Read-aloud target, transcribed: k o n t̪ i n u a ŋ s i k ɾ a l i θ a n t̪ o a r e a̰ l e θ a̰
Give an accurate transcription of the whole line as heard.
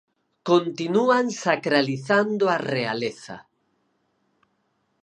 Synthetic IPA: k o n t̪ i n u a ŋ s a k ɾ a l i θ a n d̪ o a r e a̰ l e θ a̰